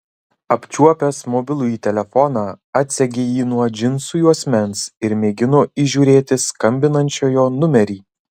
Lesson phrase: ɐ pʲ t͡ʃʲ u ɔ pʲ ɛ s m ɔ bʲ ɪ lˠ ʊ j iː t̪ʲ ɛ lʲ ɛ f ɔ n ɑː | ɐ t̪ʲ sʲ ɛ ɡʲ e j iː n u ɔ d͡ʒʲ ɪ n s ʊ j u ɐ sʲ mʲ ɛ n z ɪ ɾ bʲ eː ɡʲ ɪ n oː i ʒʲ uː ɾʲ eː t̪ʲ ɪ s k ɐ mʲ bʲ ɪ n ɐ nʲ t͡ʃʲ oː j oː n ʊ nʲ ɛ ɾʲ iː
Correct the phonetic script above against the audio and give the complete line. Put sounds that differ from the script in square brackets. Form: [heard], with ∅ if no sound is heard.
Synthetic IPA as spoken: ɐ pʲ t͡ʃʲ u ɔ pʲ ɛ s m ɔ bʲ ɪ lˠ ʊ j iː t̪ʲ ɛ lʲ ɛ f ɔ n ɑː | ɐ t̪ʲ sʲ ɛ ɡʲ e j iː n u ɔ d͡ʒʲ ɪ n s ʊ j u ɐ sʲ mʲ ɛ n [s] ɪ ɾ [mʲ] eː ɡʲ ɪ n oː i ʒʲ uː ɾʲ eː t̪ʲ ɪ s k ɐ mʲ bʲ ɪ n ɐ nʲ t͡ʃʲ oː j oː n ʊ [mʲ] ɛ ɾʲ iː